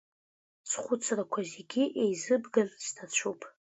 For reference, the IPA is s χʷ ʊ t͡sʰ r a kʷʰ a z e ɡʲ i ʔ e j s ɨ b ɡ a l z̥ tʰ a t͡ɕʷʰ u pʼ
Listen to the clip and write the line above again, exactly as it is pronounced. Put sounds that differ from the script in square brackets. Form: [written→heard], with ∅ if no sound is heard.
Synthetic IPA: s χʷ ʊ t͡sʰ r a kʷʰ a z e ɡʲ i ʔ e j [s→z] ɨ b ɡ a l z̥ tʰ a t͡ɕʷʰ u pʼ